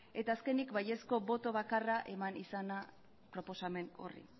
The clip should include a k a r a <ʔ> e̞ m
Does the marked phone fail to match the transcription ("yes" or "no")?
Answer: no